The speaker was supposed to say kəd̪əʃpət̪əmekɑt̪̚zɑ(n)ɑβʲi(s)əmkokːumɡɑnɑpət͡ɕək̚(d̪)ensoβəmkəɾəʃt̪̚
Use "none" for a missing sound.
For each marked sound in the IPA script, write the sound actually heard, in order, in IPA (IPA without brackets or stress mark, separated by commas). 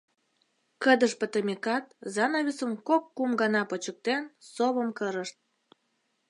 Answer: n, s, t̪